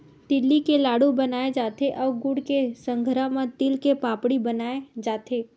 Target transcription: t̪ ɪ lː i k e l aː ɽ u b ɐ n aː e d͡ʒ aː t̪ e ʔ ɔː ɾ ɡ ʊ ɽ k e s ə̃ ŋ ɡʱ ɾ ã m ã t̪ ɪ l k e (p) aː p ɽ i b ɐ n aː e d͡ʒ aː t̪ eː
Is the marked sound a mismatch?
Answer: no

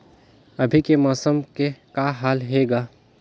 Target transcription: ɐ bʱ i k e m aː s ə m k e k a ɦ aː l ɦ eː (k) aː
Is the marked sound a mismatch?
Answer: yes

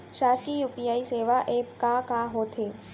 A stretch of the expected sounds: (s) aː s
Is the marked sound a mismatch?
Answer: yes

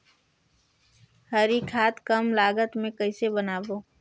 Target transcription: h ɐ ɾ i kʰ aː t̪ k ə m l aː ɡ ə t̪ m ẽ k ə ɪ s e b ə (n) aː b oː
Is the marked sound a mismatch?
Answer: no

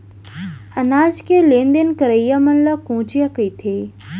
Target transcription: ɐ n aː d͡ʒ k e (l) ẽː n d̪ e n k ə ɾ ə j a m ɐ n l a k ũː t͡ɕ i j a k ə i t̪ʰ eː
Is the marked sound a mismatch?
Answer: no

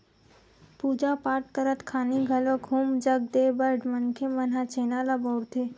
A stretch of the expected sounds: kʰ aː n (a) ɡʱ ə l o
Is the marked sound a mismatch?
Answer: yes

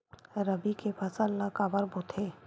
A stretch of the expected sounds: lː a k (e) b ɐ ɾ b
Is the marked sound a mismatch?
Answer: yes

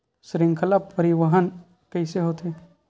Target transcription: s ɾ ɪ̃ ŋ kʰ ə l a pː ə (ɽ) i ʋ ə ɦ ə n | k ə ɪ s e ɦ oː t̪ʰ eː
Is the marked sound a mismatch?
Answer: yes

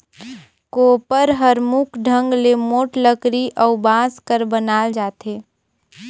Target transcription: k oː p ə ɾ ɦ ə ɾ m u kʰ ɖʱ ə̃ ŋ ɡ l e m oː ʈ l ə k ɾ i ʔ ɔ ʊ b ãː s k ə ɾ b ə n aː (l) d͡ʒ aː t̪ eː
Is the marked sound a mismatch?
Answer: no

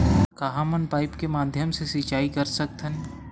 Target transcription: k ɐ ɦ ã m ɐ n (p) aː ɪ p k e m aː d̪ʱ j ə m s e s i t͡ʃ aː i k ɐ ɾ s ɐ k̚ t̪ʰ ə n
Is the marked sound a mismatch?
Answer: no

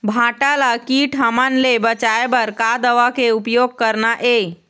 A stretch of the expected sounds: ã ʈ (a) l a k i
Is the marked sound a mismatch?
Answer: no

